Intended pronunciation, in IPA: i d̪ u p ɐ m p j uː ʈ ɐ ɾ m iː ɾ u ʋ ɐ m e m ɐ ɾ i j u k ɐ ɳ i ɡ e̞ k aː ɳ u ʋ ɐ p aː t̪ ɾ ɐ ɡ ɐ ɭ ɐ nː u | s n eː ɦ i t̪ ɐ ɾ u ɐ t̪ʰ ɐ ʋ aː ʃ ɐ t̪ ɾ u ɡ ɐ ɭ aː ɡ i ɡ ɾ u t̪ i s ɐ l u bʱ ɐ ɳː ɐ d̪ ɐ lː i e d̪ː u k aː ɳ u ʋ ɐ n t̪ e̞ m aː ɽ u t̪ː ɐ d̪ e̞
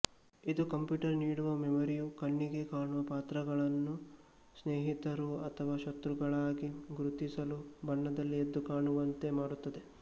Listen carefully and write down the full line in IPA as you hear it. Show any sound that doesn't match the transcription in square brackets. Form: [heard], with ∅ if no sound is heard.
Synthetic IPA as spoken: i d̪ u [k] ɐ m p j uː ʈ ɐ ɾ [n] iː [ɽ] u ʋ ɐ m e m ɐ ɾ i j u k ɐ [ɳː] i ɡ e̞ k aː ɳ u ʋ ɐ p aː t̪ ɾ ɐ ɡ ɐ ɭ ɐ nː u | s n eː ɦ i t̪ ɐ ɾ u ɐ t̪ʰ ɐ ʋ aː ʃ ɐ t̪ ɾ u ɡ ɐ ɭ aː ɡ i ɡ ɾ u t̪ i s ɐ l u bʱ ɐ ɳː ɐ d̪ ɐ lː i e d̪ː u k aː ɳ u ʋ ɐ n t̪ e̞ m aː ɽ u t̪ː ɐ d̪ e̞